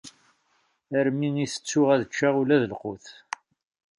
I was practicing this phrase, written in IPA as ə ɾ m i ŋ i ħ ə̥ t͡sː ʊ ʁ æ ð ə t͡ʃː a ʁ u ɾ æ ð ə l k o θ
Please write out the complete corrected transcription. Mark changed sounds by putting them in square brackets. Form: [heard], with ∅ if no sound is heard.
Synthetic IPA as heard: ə ɾ m i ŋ i [θ] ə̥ t͡sː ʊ ʁ æ ð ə t͡ʃː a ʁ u [l] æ ð ə l [q] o θ